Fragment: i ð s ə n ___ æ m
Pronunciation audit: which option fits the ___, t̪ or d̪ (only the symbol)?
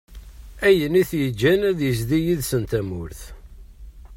t̪